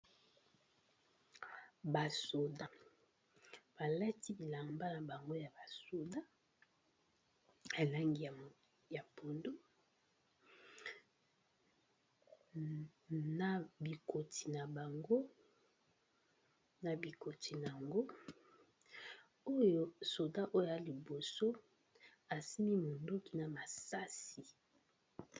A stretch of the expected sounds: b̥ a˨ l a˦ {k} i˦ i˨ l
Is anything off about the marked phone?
yes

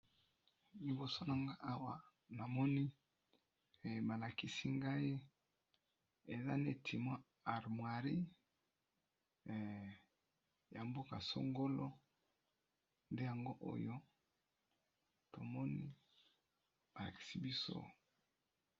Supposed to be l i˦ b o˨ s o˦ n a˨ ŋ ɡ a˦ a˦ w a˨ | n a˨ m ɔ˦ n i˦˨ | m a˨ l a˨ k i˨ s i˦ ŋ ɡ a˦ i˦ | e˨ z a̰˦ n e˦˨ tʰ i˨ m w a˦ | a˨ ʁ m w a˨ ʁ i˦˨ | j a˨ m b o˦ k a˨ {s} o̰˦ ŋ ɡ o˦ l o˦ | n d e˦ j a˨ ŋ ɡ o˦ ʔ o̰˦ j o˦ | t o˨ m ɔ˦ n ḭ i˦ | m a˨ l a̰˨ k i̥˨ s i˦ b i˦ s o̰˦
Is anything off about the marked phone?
no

